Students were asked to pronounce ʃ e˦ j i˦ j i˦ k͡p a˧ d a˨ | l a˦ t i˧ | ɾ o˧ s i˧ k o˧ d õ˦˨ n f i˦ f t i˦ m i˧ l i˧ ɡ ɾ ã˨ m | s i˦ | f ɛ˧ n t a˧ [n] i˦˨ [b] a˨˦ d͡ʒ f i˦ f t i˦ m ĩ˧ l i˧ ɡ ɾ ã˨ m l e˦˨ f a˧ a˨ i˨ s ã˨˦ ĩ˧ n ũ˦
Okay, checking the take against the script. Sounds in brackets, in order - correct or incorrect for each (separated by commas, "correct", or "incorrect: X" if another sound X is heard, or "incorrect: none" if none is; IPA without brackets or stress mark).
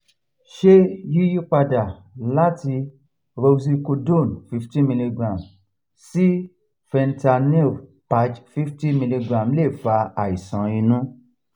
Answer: correct, incorrect: p